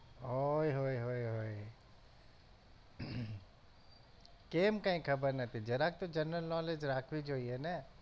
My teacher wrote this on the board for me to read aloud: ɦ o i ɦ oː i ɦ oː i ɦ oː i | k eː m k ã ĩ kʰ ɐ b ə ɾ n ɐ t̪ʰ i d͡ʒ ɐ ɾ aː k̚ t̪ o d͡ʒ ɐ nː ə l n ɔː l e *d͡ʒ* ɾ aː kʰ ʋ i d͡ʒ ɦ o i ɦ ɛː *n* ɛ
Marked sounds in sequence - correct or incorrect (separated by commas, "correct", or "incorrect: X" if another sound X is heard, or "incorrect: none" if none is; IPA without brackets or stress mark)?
correct, correct